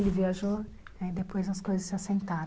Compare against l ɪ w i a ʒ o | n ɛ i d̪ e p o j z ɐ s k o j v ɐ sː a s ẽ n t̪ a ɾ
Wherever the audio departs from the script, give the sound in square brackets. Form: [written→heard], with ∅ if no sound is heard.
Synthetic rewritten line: l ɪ [w→v] i a ʒ o | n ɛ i d̪ e p o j z ɐ s k o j [v→z] ɐ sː a s ẽ n t̪ a ɾ